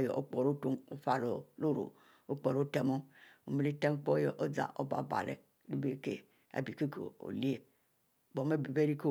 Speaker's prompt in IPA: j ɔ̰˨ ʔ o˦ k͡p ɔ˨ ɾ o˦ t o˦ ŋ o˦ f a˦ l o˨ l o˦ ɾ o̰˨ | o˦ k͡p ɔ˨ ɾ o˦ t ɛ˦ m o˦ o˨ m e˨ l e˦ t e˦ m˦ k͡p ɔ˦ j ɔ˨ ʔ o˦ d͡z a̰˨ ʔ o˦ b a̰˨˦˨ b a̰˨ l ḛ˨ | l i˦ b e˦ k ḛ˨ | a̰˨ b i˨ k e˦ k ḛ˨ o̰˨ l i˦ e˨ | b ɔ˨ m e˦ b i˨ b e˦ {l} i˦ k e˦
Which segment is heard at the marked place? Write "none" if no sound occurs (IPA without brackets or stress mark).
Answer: ɾ